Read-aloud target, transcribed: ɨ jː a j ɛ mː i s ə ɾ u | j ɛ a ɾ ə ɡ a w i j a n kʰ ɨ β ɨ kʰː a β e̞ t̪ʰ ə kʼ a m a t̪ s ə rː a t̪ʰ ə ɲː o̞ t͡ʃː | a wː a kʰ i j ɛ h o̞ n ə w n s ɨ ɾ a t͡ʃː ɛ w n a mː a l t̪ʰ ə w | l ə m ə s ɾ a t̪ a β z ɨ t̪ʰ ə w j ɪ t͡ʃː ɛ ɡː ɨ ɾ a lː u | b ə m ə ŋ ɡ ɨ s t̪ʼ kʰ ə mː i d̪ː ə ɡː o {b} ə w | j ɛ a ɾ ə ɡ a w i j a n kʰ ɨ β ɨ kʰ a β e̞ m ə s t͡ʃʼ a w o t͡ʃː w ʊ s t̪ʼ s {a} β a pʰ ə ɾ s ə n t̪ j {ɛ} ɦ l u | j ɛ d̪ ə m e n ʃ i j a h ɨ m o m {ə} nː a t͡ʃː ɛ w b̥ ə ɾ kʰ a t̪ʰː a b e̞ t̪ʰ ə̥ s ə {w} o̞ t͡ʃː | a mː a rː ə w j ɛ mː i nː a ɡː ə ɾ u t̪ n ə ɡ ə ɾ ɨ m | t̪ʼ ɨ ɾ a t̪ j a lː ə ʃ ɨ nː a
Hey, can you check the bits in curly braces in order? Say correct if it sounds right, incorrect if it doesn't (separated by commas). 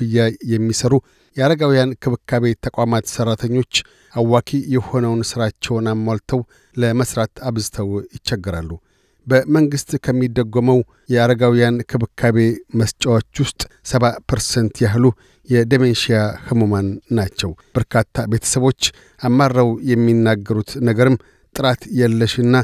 incorrect, incorrect, incorrect, incorrect, incorrect